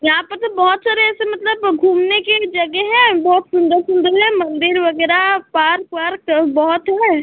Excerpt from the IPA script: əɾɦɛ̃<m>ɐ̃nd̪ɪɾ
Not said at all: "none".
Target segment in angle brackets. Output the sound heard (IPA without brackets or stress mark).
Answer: m